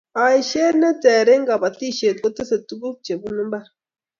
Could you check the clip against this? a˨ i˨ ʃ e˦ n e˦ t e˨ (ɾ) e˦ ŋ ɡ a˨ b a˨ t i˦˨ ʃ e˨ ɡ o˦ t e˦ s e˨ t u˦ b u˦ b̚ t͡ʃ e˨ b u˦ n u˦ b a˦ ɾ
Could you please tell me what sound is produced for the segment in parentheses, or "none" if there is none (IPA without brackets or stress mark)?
ɾ